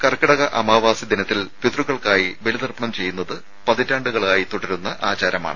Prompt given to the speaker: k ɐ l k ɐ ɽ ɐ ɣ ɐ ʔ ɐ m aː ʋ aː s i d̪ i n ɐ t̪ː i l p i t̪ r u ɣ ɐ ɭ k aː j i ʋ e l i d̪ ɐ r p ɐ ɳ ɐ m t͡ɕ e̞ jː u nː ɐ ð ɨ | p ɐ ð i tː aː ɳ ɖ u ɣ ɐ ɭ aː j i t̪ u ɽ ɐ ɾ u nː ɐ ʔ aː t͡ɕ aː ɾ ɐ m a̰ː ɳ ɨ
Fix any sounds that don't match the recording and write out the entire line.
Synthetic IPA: k ɐ r k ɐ ɽ ɐ ɣ ɐ ʔ ɐ m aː ʋ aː s i d̪ i n ɐ t̪ː i l p i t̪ r u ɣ ɐ ɭ k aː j i ʋ e l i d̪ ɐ r p ɐ ɳ ɐ m t͡ɕ e̞ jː u nː ɐ ð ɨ | p ɐ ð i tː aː ɳ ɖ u ɣ ɐ ɭ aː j i t̪ u ɽ ɐ ɾ u nː ɐ ʔ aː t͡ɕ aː ɾ ɐ m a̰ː ɳ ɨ